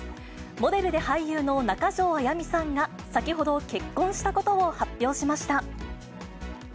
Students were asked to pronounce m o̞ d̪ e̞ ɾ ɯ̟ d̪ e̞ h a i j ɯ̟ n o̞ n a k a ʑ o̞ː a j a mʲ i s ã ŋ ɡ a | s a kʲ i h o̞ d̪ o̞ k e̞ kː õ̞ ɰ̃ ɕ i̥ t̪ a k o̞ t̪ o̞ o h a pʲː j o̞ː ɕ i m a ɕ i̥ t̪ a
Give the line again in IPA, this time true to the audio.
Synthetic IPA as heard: m o̞ d̪ e̞ ɾ ɯ̟ d̪ e̞ h a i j ɯ̟ː n o̞ n a k a ʑ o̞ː a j a mʲ i s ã ŋ ɡ a | s a kʲ i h o̞ d̪ o̞ k e̞ kː õ̞ ɰ̃ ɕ i̥ t̪ a k o̞ t̪ o̞ o h a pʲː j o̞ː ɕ i m a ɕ i̥ t̪ a